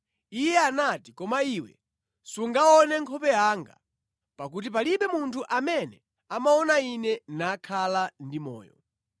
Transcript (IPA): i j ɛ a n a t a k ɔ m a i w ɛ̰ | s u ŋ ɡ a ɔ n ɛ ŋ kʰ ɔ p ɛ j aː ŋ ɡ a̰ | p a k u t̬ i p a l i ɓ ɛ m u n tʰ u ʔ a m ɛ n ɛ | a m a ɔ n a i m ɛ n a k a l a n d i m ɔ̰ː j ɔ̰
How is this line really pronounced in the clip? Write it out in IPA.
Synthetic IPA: i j ɛ a n a t i k ɔ m a i w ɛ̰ | s u ŋ ɡ a ɔ n ɛ ŋ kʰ ɔ p ɛ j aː ŋ ɡ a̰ | p a k u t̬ i p a l i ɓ ɛ m u n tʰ u ʔ a m ɛ n ɛ | a m a ɔ n a i n ɛ n a kʰ a l a n d i m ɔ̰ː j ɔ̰